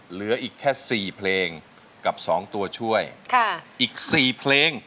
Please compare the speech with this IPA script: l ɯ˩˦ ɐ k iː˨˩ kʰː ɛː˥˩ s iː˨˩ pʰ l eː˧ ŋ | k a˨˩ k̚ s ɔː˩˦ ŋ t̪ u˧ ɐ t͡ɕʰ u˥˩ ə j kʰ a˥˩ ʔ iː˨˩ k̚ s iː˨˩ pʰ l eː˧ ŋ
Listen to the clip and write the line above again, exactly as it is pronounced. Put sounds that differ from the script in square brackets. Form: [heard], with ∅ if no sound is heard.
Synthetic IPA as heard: l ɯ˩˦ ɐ [ʔ] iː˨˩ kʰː ɛː˥˩ s iː˨˩ pʰ l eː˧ ŋ | k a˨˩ [p̚] s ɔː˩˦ ŋ t̪ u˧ ɐ t͡ɕʰ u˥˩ ə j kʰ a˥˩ ʔ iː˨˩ k̚ s iː˨˩ pʰ l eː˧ ŋ